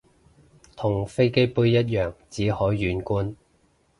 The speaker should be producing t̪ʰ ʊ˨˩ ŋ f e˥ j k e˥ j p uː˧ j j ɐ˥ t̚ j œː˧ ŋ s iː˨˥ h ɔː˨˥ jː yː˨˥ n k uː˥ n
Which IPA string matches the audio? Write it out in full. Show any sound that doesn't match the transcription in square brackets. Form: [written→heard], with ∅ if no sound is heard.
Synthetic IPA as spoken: t̪ʰ ʊ˨˩ ŋ f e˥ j k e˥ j p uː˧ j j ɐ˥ t̚ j [œː˧→œː˨˩] ŋ [s→t͡s] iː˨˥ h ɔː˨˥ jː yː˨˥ n k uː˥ n